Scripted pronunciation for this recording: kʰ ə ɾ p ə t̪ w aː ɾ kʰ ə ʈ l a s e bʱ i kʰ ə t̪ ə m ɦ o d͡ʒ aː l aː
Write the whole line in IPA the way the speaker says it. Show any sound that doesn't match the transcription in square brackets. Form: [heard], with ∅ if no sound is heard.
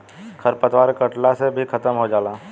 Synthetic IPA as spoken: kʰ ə ɾ p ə t̪ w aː ɾ [k] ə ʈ l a s e bʱ i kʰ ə t̪ ə m ɦ o d͡ʒ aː l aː